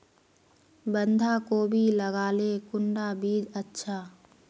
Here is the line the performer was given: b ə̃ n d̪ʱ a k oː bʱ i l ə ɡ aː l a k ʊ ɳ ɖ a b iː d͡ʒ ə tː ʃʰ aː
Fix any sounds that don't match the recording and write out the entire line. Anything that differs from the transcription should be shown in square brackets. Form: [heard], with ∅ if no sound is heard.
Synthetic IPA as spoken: b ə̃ n d̪ʱ a k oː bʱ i l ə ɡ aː l [e] k ʊ ɳ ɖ a b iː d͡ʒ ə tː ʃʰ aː